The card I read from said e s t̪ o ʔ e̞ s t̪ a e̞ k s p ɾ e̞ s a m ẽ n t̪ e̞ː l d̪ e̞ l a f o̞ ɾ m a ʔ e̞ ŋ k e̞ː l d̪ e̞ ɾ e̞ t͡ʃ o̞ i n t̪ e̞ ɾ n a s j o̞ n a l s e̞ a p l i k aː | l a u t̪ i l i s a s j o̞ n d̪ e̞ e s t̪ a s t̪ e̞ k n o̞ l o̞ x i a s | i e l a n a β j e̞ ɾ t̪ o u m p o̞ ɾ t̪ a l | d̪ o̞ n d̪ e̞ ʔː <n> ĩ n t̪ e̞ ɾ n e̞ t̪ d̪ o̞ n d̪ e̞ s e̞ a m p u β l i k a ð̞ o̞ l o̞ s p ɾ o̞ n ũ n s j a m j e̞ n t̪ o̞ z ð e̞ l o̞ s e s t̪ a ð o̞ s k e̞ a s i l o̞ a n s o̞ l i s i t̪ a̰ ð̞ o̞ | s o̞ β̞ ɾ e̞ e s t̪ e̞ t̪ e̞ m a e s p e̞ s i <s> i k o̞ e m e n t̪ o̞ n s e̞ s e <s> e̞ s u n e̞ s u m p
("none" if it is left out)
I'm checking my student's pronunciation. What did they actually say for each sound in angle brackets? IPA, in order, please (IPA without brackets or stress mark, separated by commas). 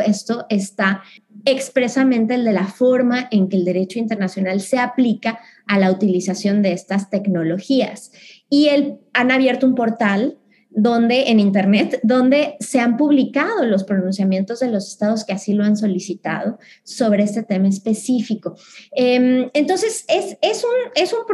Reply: n, f, s